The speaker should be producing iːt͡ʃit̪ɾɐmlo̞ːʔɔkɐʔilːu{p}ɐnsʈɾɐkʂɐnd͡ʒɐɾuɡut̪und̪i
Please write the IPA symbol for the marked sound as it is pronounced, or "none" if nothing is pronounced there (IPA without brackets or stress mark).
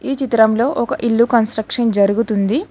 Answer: k